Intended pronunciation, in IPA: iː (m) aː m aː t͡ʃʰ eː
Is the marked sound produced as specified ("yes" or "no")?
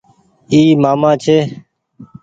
yes